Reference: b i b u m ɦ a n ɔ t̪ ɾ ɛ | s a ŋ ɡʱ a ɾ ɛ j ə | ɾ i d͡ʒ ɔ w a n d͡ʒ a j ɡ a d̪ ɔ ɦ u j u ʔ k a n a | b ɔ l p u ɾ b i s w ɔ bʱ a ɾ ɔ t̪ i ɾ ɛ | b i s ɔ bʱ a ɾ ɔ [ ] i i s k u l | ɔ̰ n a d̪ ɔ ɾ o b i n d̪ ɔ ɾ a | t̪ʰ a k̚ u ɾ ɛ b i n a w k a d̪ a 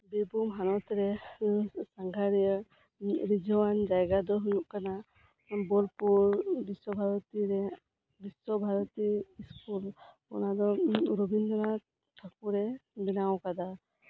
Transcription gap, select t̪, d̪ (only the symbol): t̪